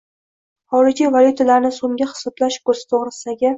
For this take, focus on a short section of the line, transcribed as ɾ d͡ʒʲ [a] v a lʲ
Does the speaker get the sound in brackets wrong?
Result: yes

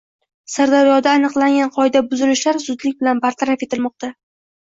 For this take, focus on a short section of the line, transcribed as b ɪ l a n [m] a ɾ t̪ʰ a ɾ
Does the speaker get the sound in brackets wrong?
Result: yes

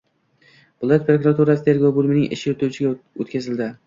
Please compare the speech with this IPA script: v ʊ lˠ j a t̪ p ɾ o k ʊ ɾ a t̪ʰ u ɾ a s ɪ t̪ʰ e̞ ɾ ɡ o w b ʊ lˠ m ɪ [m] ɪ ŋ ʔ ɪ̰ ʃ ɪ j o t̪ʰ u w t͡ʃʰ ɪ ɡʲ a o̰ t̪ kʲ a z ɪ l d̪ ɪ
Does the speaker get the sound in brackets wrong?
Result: yes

